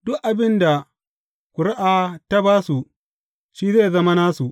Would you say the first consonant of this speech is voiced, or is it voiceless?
voiced